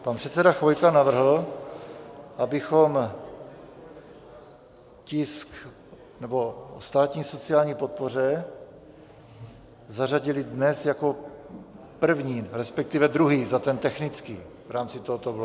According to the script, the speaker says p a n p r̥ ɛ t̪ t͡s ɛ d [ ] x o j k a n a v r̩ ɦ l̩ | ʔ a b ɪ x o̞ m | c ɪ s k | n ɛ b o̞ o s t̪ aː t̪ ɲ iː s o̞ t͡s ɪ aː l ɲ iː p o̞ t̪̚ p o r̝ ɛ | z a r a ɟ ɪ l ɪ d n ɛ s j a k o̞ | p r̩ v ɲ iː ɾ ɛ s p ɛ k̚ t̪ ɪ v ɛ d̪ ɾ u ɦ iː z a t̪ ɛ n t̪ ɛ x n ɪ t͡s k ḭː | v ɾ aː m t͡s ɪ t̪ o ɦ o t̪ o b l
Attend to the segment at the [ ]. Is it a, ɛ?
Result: a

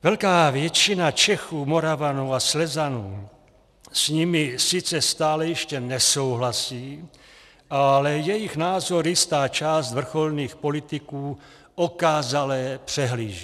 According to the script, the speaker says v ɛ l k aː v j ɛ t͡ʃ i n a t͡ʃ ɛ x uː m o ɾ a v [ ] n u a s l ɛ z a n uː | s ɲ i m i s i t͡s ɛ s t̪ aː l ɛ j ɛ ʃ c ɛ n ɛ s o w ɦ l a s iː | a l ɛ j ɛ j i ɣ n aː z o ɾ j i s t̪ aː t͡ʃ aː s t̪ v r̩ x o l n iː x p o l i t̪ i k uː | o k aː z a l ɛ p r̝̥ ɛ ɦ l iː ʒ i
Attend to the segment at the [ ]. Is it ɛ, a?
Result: a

